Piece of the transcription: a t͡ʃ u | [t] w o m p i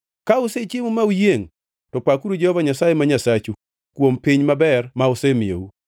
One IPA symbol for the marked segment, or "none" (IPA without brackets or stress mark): k